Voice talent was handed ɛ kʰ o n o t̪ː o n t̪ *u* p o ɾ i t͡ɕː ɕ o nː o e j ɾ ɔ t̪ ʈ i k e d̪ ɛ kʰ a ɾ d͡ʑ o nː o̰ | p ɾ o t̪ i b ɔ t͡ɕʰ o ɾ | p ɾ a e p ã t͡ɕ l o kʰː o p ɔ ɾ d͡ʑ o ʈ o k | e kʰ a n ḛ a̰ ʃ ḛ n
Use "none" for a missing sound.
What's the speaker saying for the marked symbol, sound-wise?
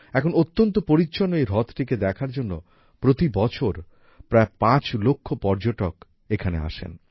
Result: o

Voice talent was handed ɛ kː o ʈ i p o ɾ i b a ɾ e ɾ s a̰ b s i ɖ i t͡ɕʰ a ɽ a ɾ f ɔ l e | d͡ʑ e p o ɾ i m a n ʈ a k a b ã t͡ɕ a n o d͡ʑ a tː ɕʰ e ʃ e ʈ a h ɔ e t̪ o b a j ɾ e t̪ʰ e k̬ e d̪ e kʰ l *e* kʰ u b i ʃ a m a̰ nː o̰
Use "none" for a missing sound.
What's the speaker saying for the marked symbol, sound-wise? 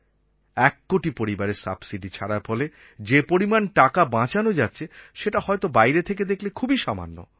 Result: e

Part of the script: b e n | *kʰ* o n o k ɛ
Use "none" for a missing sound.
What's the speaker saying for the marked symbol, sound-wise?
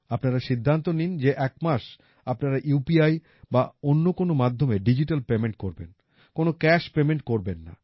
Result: k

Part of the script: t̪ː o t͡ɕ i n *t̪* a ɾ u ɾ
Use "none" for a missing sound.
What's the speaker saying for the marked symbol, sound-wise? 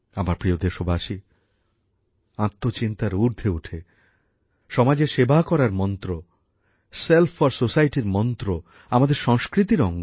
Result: t̪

